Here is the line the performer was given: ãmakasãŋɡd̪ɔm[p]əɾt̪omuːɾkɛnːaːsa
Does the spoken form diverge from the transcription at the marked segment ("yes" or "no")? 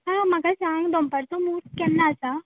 no